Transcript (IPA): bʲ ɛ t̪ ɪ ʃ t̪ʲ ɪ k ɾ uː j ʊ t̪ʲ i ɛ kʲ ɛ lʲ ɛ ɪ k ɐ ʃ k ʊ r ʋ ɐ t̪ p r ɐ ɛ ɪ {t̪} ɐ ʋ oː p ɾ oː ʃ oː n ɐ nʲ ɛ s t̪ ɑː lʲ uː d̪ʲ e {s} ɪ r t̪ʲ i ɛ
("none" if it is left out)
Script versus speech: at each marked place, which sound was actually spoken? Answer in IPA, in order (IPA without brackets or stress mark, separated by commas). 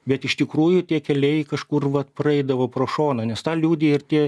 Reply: d̪, none